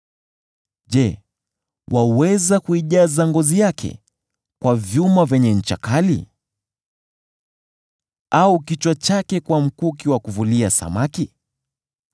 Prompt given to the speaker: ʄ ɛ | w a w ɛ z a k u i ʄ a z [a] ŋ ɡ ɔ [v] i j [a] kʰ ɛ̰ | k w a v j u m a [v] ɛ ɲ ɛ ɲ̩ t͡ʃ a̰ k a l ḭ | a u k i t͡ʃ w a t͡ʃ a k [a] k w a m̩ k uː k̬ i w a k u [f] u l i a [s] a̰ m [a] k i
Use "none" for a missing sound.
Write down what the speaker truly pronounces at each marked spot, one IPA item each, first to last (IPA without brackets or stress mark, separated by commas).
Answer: a, z, a, v, ɛ, v, s, a